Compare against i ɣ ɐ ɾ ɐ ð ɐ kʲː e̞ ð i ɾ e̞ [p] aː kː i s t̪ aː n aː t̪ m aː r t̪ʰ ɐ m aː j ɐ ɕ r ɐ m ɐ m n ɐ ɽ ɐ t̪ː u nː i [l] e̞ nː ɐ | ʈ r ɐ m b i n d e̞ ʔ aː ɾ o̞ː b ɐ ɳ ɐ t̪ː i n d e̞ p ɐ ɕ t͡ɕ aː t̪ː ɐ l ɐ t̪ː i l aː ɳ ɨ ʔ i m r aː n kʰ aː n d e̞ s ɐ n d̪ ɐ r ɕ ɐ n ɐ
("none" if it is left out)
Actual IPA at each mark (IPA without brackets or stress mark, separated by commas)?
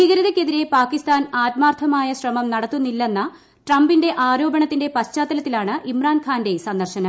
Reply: p, lː